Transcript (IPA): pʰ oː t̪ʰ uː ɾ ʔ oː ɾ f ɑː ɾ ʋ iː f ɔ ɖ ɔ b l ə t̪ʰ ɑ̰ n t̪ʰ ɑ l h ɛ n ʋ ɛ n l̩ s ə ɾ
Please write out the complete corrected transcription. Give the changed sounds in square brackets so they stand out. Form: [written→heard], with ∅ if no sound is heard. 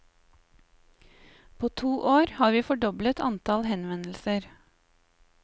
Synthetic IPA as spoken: pʰ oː t̪ʰ uː [ɾ→∅] ʔ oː ɾ [f→h] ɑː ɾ ʋ iː f ɔ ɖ ɔ b l ə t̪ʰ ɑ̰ n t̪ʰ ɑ l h ɛ n ʋ ɛ n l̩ s ə ɾ